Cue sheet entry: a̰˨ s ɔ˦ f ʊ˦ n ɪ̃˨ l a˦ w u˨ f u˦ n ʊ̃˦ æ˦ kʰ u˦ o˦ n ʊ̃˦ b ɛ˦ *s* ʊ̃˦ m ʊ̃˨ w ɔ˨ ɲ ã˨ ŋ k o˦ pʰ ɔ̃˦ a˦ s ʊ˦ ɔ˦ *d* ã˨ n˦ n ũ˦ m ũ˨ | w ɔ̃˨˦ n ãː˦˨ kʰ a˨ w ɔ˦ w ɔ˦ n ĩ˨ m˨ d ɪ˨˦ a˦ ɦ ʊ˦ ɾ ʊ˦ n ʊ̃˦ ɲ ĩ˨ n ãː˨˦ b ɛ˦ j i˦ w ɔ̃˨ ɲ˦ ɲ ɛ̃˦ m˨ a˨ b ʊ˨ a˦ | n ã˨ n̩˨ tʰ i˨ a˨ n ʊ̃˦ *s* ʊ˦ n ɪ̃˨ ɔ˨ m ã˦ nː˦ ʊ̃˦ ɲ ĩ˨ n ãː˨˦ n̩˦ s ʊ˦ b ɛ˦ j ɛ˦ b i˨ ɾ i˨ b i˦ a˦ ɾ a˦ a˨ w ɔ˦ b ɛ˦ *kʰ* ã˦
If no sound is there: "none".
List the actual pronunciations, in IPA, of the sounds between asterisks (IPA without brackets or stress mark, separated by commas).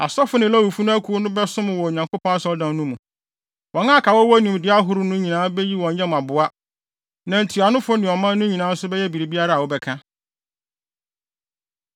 s, d, f, kʰ